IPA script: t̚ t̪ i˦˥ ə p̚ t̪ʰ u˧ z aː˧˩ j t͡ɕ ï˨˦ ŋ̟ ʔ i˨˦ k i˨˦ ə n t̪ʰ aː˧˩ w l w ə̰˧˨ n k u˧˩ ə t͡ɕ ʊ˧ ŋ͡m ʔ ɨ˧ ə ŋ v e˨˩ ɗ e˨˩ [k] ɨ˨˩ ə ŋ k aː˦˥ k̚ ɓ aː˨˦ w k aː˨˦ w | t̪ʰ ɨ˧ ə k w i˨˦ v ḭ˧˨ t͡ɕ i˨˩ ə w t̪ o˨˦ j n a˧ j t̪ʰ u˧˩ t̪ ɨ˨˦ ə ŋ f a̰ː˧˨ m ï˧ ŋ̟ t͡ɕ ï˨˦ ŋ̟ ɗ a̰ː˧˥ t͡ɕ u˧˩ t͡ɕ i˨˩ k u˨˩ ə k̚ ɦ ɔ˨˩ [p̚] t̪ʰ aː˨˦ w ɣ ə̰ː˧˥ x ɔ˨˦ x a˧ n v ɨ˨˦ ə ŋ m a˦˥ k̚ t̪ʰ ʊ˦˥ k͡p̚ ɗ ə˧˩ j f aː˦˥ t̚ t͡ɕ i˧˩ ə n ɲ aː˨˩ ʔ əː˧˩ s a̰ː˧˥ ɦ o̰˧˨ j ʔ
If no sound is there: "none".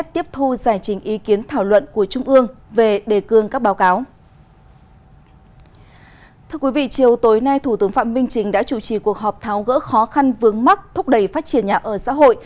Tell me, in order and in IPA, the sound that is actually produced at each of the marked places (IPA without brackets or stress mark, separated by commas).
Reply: k, p̚